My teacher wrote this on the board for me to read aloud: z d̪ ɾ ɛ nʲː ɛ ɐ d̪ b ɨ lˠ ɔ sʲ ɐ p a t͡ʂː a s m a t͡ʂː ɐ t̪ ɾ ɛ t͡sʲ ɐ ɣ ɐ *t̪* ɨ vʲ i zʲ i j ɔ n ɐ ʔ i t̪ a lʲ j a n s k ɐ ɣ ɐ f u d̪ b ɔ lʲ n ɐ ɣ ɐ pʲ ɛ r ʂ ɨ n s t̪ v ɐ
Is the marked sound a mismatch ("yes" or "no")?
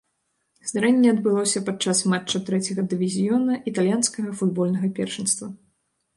yes